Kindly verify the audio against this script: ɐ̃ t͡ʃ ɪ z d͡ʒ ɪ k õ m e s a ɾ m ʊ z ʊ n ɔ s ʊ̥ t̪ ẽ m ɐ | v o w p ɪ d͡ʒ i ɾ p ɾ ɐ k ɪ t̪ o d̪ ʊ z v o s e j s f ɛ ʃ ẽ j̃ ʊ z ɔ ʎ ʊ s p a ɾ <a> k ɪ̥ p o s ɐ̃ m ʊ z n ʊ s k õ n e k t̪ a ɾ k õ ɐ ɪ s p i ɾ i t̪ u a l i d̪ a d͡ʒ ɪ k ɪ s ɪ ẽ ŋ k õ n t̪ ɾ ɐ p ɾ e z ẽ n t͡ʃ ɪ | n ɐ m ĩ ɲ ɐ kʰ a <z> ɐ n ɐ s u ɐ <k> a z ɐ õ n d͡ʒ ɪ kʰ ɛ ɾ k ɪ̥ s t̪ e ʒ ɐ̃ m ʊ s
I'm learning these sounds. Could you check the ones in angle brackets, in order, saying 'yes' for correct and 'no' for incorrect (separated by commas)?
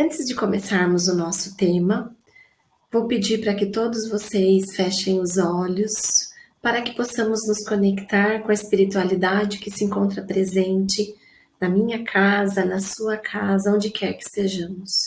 no, yes, no